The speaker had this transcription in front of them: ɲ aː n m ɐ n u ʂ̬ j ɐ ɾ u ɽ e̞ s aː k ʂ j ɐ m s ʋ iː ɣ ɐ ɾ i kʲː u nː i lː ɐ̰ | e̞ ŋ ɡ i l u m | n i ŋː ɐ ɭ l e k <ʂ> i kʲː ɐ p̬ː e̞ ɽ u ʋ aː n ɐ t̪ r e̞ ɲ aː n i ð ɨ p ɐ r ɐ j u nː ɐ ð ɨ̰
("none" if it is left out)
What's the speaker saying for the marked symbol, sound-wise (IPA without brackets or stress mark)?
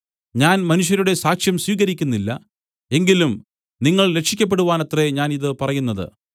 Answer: ʂ